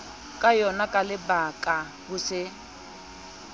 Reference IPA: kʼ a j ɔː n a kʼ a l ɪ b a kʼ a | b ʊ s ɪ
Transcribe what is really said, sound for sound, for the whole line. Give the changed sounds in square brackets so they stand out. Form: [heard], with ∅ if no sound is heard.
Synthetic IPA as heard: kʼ a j [ɔ] n a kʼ a l ɪ b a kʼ a | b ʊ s ɪ